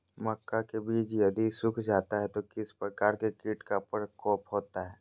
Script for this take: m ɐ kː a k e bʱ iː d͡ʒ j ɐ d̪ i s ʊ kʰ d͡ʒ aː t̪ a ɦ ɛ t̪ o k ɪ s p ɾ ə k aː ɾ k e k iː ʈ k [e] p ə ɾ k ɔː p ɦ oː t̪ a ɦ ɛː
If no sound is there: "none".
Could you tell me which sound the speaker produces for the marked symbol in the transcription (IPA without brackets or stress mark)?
a